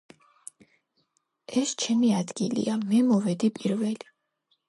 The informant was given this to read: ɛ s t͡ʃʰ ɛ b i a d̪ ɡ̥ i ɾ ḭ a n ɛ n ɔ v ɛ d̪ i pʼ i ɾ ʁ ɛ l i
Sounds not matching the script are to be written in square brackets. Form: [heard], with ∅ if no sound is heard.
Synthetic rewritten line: ɛ s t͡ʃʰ ɛ [m] i a d̪ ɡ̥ i [l] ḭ a [m] ɛ [m] ɔ v ɛ d̪ i pʼ i ɾ [v] ɛ l i